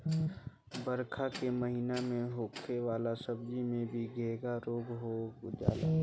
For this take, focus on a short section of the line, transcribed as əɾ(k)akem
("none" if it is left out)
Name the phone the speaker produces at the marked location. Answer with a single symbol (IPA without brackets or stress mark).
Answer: kʰ